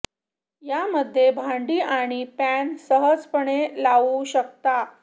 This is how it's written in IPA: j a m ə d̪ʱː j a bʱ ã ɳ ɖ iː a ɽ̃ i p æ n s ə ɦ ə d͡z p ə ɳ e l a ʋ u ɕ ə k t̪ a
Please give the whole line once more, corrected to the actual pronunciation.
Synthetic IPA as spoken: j a m ə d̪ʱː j e bʱ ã ɳ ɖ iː a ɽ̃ i p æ n s ə ɦ ə d͡z p ə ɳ e l a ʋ u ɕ ə k t̪ a